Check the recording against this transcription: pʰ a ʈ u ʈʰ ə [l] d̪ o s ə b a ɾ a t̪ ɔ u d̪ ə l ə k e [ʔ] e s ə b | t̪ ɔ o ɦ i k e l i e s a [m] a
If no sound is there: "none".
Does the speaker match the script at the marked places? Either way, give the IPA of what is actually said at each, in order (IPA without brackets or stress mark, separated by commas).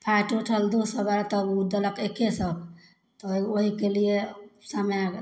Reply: l, k, m